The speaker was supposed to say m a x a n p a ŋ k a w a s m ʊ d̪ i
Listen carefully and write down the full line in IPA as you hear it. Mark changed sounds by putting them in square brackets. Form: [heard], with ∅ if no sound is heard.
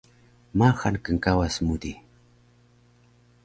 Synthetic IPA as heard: m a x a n [k] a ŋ k a w a s m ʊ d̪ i